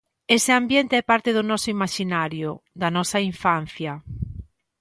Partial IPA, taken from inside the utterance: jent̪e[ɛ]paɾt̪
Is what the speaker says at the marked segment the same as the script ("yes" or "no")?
yes